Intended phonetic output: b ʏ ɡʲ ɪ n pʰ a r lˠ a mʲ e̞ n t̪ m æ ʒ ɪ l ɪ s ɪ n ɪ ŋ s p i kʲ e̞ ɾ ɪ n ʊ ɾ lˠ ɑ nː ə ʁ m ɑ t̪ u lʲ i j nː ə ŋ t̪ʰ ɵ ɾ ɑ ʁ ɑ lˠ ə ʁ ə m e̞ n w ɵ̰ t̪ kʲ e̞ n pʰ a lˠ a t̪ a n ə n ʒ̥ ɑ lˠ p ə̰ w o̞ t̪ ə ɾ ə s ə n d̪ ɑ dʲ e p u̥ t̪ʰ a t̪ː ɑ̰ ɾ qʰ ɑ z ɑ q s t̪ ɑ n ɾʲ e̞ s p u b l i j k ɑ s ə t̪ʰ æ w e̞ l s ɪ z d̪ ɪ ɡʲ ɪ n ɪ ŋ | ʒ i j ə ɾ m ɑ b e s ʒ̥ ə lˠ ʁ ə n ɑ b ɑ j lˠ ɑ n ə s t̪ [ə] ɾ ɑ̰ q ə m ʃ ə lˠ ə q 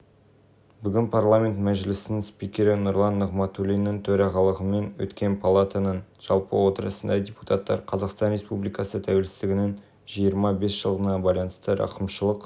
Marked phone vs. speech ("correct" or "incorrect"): correct